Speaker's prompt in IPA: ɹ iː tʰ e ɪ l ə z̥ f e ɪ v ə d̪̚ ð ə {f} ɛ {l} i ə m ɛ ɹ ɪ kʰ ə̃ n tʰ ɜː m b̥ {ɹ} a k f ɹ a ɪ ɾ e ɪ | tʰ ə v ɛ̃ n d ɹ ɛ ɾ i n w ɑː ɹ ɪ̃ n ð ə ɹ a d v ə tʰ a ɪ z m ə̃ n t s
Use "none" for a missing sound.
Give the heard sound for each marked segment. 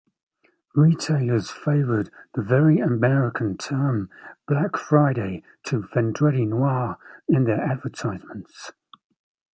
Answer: v, ɹ, l

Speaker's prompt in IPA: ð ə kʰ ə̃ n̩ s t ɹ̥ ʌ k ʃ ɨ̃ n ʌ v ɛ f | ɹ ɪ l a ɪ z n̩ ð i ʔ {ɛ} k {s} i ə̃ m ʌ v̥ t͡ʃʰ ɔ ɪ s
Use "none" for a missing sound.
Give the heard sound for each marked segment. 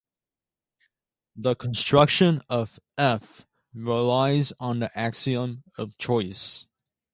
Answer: æ, s

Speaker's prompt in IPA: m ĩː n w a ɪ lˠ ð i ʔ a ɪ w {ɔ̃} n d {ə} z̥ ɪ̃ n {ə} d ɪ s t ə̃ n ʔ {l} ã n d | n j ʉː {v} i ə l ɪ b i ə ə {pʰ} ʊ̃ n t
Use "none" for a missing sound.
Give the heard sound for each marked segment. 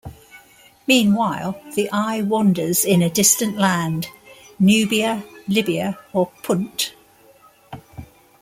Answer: ɒ̃, ə, ə, l, b, pʰ

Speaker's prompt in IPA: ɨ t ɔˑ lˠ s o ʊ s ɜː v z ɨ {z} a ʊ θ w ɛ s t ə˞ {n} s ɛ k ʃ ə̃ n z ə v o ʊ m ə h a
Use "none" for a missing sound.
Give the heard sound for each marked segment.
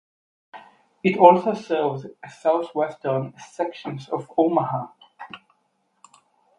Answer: s, n

